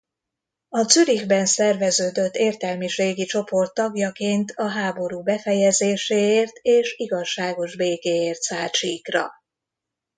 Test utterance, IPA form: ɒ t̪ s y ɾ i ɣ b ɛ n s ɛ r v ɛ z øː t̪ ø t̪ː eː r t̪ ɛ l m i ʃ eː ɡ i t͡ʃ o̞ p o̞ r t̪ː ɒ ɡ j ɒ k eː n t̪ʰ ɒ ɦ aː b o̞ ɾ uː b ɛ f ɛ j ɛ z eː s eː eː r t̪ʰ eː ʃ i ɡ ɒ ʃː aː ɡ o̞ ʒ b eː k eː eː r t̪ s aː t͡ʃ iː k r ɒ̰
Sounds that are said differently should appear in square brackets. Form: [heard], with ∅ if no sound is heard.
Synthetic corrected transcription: ɒ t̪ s y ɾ i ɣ b ɛ n s ɛ r v ɛ z øː [d̪] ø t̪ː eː r t̪ ɛ l m i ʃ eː ɡ i t͡ʃ o̞ p o̞ r t̪ː ɒ ɡ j ɒ k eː n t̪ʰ ɒ ɦ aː b o̞ ɾ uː b ɛ f ɛ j ɛ z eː [ʃ] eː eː r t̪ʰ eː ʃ i ɡ ɒ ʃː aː ɡ o̞ ʒ b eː k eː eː r t̪ s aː t͡ʃ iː k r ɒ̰